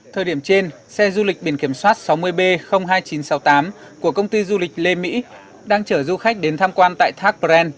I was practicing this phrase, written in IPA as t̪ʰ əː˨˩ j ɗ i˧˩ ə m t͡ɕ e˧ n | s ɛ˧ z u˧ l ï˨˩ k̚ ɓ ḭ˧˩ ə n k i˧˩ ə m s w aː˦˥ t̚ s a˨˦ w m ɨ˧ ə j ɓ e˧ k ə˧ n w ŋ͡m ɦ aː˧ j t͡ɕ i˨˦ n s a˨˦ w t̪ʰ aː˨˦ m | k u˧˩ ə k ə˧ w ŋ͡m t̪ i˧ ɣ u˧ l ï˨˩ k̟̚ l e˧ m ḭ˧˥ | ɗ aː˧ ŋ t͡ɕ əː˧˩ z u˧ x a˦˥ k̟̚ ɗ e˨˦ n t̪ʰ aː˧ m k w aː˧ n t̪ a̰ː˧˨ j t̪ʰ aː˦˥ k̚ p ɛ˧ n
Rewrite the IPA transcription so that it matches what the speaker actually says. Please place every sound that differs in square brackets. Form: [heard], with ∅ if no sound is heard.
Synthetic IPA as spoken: t̪ʰ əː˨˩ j ɗ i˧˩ ə m t͡ɕ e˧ n | s ɛ˧ z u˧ l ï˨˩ k̚ ɓ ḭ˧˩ ə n k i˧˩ ə m s w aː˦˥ t̚ s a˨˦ w m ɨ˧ ə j ɓ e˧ [x] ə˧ [∅] w ŋ͡m ɦ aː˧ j t͡ɕ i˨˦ n s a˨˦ w [t̪] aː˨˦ m | k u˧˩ ə k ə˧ w ŋ͡m t̪ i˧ [z] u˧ l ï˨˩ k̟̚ l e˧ m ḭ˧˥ | ɗ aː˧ ŋ t͡ɕ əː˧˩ z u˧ x a˦˥ k̟̚ ɗ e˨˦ n t̪ʰ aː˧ m k w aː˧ n t̪ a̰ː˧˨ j t̪ʰ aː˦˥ k̚ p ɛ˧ n